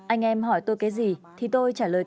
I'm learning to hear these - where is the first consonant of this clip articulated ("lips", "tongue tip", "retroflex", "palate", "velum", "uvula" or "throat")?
throat